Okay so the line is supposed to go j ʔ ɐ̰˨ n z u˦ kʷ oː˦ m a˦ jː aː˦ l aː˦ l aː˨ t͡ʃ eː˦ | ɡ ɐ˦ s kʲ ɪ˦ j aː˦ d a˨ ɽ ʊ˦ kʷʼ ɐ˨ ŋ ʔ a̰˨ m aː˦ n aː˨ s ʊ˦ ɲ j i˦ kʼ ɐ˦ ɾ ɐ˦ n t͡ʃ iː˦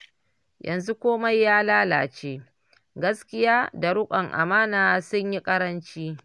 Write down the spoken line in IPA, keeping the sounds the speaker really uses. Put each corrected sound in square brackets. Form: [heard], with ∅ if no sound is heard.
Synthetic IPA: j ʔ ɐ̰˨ n z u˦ kʷ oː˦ m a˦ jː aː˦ l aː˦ l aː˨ t͡ʃ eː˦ | ɡ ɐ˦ s kʲ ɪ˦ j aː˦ d a˨ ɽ ʊ˦ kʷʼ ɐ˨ ŋ ʔ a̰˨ m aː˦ n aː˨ s ʊ˦ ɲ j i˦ kʼ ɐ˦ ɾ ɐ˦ n t͡ʃ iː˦

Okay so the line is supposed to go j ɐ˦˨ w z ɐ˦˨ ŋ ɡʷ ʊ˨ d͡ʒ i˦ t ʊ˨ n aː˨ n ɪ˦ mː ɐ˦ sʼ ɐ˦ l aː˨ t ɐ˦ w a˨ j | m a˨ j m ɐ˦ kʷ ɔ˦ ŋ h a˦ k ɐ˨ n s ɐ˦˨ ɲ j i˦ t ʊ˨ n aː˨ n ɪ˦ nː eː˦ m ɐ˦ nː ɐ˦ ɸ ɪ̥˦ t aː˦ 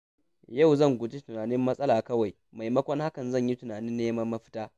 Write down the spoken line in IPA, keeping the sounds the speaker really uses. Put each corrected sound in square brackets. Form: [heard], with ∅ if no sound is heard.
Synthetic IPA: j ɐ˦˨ w z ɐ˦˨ ŋ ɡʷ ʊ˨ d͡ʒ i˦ t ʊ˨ n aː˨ n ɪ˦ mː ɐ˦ sʼ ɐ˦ l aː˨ [k] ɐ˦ w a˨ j | m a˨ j m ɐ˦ kʷ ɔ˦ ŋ h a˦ k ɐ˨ n [z] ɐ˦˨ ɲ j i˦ t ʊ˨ n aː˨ n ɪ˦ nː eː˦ m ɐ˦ [mː] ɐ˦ ɸ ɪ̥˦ t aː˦

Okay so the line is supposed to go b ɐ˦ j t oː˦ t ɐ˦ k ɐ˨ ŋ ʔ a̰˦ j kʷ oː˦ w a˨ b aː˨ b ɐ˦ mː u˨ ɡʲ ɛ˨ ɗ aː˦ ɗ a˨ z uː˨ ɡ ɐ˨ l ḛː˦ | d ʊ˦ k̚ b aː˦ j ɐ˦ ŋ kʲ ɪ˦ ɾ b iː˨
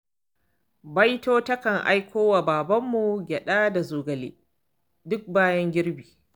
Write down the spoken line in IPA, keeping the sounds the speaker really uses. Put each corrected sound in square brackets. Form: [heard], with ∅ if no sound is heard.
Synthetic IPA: b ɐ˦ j t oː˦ t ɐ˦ k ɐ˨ ŋ ʔ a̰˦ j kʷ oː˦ w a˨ b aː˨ b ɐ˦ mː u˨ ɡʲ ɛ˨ ɗ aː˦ [d] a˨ z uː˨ ɡ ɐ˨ l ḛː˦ | d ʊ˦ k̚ b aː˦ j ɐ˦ ŋ [ɡʲ] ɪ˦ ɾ b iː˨

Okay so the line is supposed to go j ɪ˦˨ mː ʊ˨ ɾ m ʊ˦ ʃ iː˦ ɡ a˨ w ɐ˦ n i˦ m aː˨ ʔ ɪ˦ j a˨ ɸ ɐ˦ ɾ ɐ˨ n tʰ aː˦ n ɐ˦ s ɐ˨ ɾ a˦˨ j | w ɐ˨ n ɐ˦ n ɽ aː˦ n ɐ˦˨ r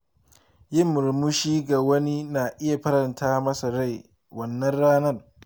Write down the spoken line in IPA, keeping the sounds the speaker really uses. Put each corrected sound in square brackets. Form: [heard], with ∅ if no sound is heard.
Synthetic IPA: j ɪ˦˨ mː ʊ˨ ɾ m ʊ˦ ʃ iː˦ ɡ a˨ w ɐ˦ n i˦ [n] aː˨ ʔ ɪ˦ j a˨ ɸ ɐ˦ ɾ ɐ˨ n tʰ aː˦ [m] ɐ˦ s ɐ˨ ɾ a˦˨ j | w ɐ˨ [nː] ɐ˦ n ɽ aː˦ n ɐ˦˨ r

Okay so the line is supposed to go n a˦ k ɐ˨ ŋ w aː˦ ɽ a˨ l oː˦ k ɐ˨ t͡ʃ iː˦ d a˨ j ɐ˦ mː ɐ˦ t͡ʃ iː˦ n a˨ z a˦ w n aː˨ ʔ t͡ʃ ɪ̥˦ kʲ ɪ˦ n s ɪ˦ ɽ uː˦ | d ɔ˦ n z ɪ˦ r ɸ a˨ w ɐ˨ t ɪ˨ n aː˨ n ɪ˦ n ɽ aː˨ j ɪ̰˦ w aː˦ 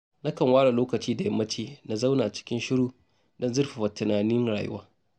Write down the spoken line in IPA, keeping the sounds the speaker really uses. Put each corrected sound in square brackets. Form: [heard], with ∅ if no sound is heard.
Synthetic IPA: n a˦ k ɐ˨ ŋ w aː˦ ɽ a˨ l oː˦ k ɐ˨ t͡ʃ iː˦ d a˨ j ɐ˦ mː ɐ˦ t͡ʃ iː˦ n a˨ z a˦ w n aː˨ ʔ t͡ʃ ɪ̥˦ kʲ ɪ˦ n [ʃ] ɪ˦ ɽ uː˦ | d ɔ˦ n z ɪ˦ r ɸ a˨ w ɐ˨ t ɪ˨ n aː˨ n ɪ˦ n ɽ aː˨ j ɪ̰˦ w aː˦

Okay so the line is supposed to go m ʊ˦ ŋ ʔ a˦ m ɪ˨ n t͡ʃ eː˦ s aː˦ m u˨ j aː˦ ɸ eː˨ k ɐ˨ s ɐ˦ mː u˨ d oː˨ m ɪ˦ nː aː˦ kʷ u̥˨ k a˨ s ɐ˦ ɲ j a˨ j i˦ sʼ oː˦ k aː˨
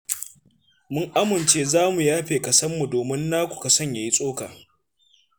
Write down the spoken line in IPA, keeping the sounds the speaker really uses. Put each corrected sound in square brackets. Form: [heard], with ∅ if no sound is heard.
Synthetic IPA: m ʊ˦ ŋ ʔ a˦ m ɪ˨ n t͡ʃ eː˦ [z] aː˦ m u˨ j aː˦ ɸ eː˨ k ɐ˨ s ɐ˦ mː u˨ d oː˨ m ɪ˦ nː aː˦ kʷ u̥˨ k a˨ s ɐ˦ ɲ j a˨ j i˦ sʼ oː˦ k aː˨

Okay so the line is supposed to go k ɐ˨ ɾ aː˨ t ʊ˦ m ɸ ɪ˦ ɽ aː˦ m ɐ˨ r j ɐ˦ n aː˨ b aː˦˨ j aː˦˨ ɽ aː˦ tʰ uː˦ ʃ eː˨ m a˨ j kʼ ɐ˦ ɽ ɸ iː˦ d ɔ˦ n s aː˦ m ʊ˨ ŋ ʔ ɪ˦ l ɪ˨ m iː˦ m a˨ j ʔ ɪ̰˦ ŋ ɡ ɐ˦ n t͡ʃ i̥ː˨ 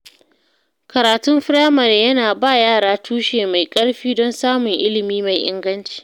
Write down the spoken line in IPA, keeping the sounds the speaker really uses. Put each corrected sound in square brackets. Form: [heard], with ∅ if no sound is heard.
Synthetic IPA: k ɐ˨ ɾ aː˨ t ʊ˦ m ɸ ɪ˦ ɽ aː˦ m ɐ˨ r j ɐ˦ n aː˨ b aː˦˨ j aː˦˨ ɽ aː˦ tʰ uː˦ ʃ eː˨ m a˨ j kʼ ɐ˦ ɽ ɸ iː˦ d ɔ˦ n s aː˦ m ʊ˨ ŋ ʔ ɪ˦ l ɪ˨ m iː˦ m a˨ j ʔ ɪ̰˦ ŋ ɡ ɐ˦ n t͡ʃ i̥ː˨

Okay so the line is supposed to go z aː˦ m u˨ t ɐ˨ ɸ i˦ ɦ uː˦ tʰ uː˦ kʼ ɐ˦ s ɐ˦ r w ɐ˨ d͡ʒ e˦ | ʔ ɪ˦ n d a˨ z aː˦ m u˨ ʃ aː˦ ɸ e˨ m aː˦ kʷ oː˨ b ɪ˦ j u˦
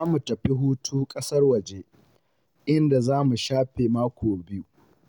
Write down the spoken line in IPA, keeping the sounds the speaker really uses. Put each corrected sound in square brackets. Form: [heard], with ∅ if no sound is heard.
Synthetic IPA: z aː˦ m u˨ t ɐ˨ ɸ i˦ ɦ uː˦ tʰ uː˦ kʼ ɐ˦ s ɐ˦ r w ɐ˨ d͡ʒ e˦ | ʔ ɪ˦ n d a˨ z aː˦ m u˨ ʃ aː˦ ɸ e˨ m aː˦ kʷ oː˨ b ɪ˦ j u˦

